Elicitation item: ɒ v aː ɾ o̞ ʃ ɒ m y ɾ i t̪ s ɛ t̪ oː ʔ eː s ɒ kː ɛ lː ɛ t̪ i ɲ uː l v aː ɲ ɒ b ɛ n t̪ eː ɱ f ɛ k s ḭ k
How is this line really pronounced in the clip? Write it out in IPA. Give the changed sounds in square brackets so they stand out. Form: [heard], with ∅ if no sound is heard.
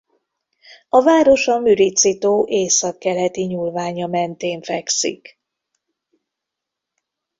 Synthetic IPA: ɒ v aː ɾ o̞ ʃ ɒ m y ɾ i t̪ s [i] t̪ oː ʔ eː s ɒ kː ɛ [l] ɛ t̪ i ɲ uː l v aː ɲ ɒ [m] ɛ n t̪ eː ɱ f ɛ k s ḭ k